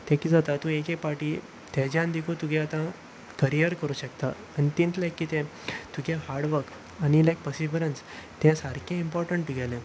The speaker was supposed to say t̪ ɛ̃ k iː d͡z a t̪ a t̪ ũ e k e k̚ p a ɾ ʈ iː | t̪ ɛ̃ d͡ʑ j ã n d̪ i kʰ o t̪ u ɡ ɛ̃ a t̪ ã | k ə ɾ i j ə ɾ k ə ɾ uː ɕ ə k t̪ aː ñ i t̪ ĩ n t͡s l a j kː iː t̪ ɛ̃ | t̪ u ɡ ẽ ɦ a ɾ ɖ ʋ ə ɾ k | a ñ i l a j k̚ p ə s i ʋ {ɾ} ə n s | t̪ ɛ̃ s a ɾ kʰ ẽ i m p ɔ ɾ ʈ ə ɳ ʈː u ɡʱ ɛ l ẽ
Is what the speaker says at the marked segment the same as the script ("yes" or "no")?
yes